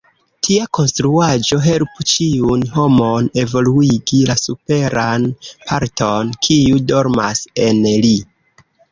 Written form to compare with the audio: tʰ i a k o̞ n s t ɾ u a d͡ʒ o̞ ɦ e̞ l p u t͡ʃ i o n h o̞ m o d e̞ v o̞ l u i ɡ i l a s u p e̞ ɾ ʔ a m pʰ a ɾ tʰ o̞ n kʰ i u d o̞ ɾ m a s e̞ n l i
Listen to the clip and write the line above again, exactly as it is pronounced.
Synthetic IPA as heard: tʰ i a k o̞ n s t ɾ u a d͡ʒ o̞ ɦ e̞ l p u t͡ʃ i u n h o̞ m o n e̞ v o̞ l u i ɡ i l a s u p e̞ ɾ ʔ a n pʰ a ɾ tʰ o̞ n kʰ i u d o̞ ɾ m a s e̞ n l i